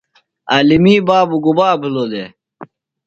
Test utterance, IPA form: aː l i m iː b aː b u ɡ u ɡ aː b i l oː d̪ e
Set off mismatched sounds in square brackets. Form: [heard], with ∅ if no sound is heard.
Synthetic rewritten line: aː l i m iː b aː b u ɡ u [b] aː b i l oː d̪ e